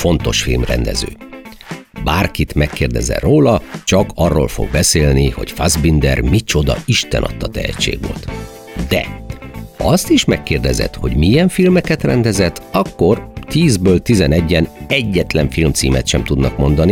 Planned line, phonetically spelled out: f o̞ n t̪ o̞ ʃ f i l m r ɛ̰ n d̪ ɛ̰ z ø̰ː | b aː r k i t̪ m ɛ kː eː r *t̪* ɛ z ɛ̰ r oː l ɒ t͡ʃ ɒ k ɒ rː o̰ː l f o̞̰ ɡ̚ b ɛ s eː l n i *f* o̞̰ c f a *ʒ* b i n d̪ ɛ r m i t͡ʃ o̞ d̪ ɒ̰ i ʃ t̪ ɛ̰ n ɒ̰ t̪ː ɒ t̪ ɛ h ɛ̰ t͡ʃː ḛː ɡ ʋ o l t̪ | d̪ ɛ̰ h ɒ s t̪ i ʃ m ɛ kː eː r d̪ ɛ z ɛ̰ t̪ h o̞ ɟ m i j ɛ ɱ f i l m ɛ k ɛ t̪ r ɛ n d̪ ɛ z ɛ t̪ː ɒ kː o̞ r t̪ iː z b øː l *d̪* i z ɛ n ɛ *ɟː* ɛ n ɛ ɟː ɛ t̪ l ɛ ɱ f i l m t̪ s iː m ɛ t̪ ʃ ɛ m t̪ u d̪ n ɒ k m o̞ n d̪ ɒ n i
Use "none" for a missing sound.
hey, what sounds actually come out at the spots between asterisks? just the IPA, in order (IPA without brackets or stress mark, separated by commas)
d̪, h, z, t̪, ɟː